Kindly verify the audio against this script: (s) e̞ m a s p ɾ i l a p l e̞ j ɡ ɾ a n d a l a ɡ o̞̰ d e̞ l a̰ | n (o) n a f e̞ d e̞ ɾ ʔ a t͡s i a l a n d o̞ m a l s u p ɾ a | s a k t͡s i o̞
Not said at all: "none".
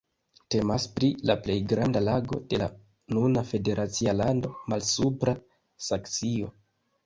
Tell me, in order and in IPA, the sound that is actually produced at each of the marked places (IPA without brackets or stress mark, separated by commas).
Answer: t, u